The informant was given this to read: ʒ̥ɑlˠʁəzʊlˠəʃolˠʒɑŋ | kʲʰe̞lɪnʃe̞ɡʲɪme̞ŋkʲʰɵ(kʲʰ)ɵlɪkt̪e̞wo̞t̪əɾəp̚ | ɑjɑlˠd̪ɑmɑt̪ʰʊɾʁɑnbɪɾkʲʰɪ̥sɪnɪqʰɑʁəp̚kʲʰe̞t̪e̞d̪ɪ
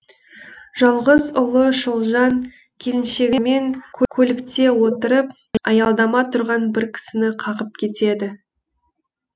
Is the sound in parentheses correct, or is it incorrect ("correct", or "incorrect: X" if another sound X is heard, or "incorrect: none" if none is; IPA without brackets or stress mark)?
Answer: correct